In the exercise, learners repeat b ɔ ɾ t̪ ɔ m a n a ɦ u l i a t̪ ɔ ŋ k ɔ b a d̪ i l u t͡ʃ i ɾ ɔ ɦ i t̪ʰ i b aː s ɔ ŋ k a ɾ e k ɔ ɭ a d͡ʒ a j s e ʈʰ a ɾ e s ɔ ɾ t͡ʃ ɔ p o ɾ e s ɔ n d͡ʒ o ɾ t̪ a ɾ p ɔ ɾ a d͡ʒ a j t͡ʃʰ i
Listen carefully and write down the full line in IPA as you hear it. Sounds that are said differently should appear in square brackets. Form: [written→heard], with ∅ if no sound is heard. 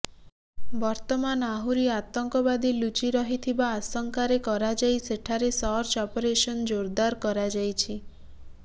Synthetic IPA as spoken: b ɔ ɾ t̪ ɔ m a n a ɦ u [l→ɾ] i a t̪ ɔ ŋ k ɔ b a d̪ i l u t͡ʃ i ɾ ɔ ɦ i t̪ʰ i b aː s ɔ ŋ k a ɾ e k ɔ [ɭ→ɾ] a d͡ʒ a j s e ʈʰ a ɾ e s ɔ ɾ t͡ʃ ɔ p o ɾ e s ɔ n d͡ʒ o ɾ [t̪→d̪] a ɾ [p→k] ɔ ɾ a d͡ʒ a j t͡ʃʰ i

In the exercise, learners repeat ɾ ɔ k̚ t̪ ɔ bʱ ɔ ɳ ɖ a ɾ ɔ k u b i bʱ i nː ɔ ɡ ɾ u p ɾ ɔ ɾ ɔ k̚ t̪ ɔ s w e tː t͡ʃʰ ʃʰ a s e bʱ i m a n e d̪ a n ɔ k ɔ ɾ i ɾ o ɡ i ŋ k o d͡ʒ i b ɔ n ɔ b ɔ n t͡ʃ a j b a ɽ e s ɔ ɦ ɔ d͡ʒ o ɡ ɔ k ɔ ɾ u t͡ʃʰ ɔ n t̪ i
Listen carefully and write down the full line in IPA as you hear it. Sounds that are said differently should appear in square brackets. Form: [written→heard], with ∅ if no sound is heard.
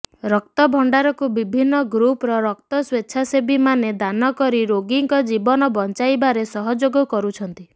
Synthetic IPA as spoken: ɾ ɔ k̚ t̪ ɔ bʱ ɔ ɳ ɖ a ɾ ɔ k u b i bʱ i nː ɔ ɡ ɾ u p ɾ ɔ ɾ ɔ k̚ t̪ ɔ s w e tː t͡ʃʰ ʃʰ a s e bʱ i m a n e d̪ a n ɔ k ɔ ɾ i ɾ o ɡ i ŋ k [o→ɔ] d͡ʒ i b ɔ n ɔ b ɔ n t͡ʃ a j b a [ɽ→ɾ] e s ɔ ɦ ɔ d͡ʒ o ɡ ɔ k ɔ ɾ u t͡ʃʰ ɔ n t̪ i

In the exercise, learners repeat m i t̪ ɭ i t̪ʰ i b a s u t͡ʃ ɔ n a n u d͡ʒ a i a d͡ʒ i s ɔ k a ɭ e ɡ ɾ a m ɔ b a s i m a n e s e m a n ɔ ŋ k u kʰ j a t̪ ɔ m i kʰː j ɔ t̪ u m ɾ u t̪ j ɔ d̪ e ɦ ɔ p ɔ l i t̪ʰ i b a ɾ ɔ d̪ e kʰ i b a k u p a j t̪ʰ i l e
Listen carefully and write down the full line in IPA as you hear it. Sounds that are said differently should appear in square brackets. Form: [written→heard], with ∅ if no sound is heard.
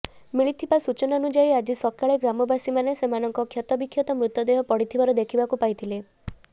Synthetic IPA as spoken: m i [t̪→∅] ɭ i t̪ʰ i b a s u t͡ʃ ɔ n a n u d͡ʒ a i a d͡ʒ i s ɔ k a ɭ e ɡ ɾ a m ɔ b a s i m a n e s e m a n ɔ ŋ k [u→ɔ] kʰ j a t̪ ɔ [m→b] i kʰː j ɔ t̪ [u→ɔ] m ɾ u t̪ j ɔ d̪ e ɦ ɔ p ɔ [l→ɽ] i t̪ʰ i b a ɾ ɔ d̪ e kʰ i b a k u p a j t̪ʰ i l e

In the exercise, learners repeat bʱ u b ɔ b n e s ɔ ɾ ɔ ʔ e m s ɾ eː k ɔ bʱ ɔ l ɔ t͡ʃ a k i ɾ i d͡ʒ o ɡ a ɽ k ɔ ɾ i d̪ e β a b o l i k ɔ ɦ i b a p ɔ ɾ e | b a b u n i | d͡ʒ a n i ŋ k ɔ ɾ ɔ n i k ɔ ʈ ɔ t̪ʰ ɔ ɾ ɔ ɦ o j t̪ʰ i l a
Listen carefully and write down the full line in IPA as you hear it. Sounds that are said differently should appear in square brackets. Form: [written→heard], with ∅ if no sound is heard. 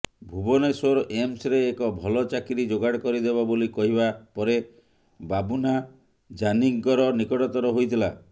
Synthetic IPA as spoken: bʱ u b ɔ [b→∅] n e s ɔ ɾ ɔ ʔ e m s ɾ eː k ɔ bʱ ɔ l ɔ t͡ʃ a k i ɾ i d͡ʒ o ɡ a ɽ k ɔ ɾ i d̪ e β a b o l i k ɔ ɦ i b a p ɔ ɾ e | b a b u n [i→a] | d͡ʒ a n i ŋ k ɔ ɾ ɔ n i k ɔ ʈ ɔ [t̪ʰ→t̪] ɔ ɾ ɔ ɦ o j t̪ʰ i l a

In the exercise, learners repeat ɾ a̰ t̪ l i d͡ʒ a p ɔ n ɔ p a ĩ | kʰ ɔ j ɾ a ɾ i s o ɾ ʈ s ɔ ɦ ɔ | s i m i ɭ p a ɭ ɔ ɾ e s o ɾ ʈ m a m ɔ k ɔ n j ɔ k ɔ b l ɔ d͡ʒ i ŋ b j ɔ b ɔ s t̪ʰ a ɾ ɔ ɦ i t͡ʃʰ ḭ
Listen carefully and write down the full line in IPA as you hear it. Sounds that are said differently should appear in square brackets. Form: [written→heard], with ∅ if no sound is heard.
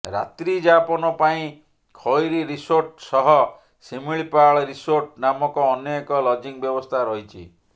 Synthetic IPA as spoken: ɾ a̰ t̪ [l→ɾ] i d͡ʒ a p ɔ n ɔ p a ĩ | kʰ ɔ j ɾ [a→i] ɾ i s o ɾ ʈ s ɔ ɦ ɔ | s i m i ɭ p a ɭ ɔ ɾ [e→i] s o ɾ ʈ [m→n] a m ɔ k [ɔ→ɔː] n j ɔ k ɔ [b→∅] l ɔ d͡ʒ i ŋ b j ɔ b ɔ s t̪ʰ a ɾ ɔ ɦ i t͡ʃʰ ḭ

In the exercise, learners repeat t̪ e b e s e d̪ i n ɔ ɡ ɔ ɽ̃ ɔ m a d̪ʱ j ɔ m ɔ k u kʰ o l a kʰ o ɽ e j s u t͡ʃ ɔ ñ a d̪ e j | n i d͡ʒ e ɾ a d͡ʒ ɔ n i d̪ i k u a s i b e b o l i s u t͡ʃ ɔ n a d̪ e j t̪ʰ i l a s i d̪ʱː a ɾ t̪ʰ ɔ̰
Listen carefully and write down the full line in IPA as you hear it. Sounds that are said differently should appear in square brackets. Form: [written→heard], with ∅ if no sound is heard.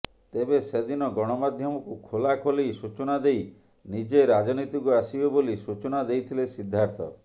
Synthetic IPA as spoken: t̪ e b e s e d̪ i n ɔ ɡ ɔ ɽ̃ ɔ m a d̪ʱ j ɔ m ɔ k u kʰ o l a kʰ o [ɽ→l] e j s u t͡ʃ ɔ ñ a d̪ e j | n i d͡ʒ e ɾ a d͡ʒ ɔ n i [d̪→t̪] i k u a s i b e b o l i s u t͡ʃ ɔ n a d̪ e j t̪ʰ i l [a→e] s i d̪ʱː a ɾ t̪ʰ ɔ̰

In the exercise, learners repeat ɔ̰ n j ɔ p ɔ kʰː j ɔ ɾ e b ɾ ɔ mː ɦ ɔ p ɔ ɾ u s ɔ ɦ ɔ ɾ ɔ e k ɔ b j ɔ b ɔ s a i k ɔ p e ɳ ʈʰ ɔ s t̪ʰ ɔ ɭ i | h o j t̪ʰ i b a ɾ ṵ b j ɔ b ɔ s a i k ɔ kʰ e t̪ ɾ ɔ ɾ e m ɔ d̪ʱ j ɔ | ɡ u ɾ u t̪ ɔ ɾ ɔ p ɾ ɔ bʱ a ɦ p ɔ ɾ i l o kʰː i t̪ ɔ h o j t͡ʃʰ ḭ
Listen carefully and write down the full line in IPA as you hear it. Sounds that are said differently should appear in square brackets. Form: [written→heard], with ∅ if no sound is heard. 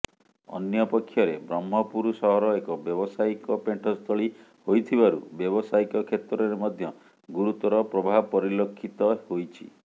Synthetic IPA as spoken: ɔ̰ n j ɔ p ɔ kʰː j ɔ ɾ e b ɾ ɔ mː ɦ ɔ p [ɔ→u] ɾ u s ɔ ɦ ɔ ɾ ɔ e k ɔ b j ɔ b ɔ s a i k ɔ p e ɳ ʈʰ ɔ s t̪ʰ ɔ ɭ i | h o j t̪ʰ i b a ɾ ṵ b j ɔ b ɔ s a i k ɔ kʰ e t̪ ɾ ɔ ɾ e m ɔ d̪ʱ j ɔ | ɡ u ɾ u t̪ ɔ ɾ ɔ p ɾ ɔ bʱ a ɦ p ɔ ɾ i l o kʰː i t̪ ɔ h o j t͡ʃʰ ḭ

